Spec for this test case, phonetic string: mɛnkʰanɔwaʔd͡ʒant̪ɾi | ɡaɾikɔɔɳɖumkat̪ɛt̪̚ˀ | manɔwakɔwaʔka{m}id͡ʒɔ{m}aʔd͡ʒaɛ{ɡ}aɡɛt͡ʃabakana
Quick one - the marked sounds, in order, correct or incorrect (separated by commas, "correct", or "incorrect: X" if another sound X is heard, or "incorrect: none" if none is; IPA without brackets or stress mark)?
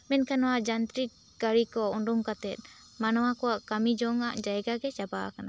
correct, incorrect: ŋ, correct